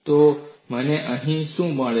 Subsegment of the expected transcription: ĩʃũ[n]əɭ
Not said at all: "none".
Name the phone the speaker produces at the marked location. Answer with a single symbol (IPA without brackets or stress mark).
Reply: m